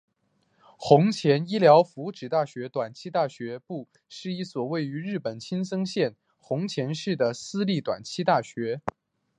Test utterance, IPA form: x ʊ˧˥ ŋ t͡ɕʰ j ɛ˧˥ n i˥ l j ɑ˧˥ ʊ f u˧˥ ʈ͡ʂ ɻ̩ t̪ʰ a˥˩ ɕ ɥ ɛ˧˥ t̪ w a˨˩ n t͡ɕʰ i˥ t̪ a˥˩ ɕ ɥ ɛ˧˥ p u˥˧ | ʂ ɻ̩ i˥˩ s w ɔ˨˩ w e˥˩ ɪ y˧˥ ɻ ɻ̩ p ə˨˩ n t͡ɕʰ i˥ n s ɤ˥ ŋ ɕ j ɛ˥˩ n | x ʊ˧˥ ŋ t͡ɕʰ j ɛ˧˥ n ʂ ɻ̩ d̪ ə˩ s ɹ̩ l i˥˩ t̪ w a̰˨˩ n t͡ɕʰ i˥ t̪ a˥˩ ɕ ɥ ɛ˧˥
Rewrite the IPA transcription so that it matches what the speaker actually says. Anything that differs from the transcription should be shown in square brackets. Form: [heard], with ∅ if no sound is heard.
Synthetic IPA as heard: x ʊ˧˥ ŋ t͡ɕʰ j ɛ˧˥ n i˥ l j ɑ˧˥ ʊ f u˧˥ ʈ͡ʂ ɻ̩ [t̪] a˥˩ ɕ ɥ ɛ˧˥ t̪ w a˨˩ n t͡ɕʰ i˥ t̪ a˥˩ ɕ ɥ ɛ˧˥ p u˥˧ | ʂ ɻ̩ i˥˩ s w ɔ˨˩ w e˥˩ ɪ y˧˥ ɻ ɻ̩ p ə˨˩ n t͡ɕʰ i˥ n s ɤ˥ ŋ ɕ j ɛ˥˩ n | x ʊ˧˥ ŋ t͡ɕʰ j ɛ˧˥ n ʂ ɻ̩ d̪ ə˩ s ɹ̩ l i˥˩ t̪ w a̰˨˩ n t͡ɕʰ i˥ t̪ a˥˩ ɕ ɥ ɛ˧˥

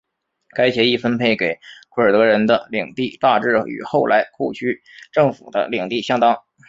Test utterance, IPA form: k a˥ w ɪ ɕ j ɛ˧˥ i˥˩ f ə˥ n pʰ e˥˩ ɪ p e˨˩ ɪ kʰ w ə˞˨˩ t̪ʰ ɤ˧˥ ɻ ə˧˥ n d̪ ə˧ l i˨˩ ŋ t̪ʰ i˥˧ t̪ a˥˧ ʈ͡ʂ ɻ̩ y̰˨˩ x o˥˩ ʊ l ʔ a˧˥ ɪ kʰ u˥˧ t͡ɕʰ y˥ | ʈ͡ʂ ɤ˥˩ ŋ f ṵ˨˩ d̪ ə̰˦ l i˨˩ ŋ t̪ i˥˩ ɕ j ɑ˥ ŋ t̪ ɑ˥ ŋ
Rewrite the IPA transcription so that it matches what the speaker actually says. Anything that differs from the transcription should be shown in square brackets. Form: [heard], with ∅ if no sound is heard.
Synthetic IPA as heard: k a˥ [∅] ɪ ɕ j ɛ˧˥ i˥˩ f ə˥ n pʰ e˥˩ ɪ [k] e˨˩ ɪ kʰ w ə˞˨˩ [t̪] ɤ˧˥ ɻ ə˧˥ n d̪ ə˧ l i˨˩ ŋ [t̪] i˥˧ t̪ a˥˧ ʈ͡ʂ ɻ̩ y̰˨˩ x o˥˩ ʊ l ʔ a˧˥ ɪ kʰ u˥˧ t͡ɕʰ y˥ | ʈ͡ʂ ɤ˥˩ ŋ f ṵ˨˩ d̪ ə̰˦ l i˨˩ ŋ t̪ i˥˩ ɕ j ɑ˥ ŋ t̪ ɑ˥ ŋ

